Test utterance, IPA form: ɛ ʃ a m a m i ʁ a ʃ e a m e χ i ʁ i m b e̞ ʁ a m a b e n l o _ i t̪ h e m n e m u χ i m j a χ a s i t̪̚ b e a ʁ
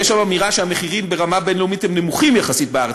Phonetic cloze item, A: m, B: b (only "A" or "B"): A